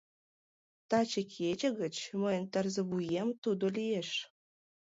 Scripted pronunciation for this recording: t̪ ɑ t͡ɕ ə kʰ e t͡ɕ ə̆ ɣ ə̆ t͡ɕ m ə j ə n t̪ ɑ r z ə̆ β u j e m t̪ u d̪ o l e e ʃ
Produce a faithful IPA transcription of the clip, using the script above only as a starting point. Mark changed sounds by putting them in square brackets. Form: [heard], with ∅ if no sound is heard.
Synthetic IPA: t̪ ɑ t͡ɕ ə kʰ e t͡ɕ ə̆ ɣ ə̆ t͡ɕ m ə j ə n t̪ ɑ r z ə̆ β u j e m t̪ u d̪ o l [i] e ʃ